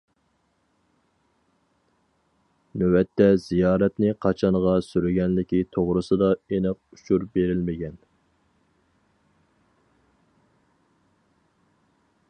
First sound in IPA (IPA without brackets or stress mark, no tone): n